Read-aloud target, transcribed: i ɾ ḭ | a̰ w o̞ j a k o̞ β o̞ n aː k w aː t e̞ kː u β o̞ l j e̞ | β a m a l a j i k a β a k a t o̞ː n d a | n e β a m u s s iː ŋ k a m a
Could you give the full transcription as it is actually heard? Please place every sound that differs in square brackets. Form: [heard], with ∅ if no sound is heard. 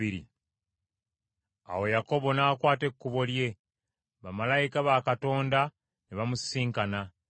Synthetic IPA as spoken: i ɾ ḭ | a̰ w o̞ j a k o̞ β o̞ n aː k w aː t e̞ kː u β o̞ l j e̞ | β a m a l a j i k a β a k a t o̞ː n d a | n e β a m u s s iː ŋ k a [n] a